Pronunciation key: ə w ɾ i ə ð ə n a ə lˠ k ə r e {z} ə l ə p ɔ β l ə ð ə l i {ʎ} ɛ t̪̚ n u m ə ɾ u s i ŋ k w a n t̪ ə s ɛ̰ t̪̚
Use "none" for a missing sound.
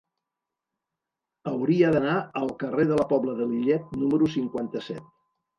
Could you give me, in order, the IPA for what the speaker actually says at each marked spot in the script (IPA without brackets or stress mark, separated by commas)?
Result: ð, ʎ